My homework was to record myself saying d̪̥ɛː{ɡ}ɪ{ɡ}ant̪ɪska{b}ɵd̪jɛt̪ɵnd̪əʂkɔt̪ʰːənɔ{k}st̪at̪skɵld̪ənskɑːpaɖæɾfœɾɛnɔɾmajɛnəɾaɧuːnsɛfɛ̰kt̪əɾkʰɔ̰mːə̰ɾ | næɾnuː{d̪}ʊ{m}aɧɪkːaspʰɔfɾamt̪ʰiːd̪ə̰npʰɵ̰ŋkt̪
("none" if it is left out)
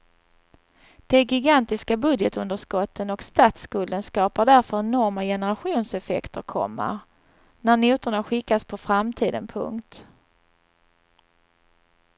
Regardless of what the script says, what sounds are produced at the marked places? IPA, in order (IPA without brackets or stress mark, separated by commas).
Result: ɡ, ɡ, b, k, t̪, ɳ